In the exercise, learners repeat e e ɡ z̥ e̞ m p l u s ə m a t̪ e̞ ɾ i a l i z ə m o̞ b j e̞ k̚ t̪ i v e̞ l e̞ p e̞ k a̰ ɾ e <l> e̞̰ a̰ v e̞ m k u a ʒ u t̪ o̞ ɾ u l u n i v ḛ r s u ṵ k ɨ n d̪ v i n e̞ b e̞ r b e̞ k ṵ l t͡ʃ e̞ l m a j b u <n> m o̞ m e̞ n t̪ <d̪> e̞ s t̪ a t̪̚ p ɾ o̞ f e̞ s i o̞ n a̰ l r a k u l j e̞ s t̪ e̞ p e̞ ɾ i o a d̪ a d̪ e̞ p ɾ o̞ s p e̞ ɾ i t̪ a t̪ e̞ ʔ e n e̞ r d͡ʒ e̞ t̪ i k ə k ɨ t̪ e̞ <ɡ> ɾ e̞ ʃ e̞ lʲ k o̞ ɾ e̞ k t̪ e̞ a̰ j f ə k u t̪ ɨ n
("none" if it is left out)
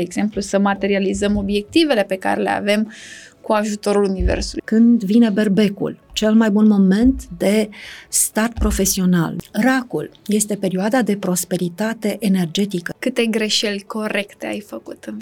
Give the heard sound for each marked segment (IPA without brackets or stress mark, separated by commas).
l, n, d̪, ɡ